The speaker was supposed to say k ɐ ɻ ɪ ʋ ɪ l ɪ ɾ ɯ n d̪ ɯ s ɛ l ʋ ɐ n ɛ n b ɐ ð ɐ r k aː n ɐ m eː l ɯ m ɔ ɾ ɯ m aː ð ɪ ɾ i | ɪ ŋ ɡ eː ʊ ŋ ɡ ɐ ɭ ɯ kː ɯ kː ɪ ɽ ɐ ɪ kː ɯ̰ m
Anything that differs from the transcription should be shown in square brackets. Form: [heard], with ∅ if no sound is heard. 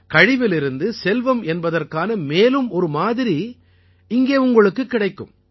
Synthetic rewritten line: k ɐ ɻ ɪ ʋ ɪ l ɪ ɾ ɯ n d̪ ɯ s ɛ l ʋ ɐ [m] ɛ n b ɐ ð ɐ r k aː n ɐ m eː l ɯ m ɔ ɾ ɯ m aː ð ɪ ɾ i | ɪ ŋ ɡ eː ʊ ŋ ɡ ɐ ɭ ɯ kː ɯ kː ɪ ɽ ɐ ɪ kː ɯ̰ m